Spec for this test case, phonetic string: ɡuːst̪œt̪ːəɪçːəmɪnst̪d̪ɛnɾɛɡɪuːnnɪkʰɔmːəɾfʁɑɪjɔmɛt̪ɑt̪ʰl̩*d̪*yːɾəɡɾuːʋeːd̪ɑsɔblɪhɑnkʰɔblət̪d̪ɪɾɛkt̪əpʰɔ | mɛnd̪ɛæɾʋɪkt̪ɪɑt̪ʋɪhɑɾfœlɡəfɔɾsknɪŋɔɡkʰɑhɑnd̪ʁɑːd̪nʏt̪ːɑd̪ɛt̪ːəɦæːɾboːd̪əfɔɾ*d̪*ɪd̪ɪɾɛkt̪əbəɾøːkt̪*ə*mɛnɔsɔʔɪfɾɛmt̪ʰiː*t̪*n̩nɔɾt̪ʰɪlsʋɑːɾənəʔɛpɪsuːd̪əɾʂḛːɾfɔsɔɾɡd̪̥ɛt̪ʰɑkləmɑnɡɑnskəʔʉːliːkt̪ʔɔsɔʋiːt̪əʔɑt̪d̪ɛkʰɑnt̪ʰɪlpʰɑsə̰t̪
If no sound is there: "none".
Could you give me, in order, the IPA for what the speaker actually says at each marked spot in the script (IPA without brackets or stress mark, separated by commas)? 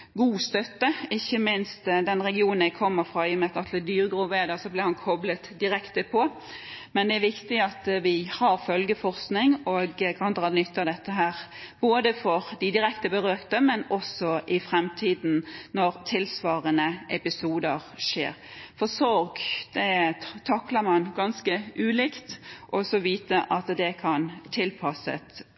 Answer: d̪, d̪, ə, d̪